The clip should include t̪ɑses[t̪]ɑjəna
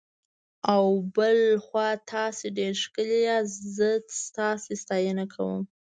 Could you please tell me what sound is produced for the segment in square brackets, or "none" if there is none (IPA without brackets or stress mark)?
t̪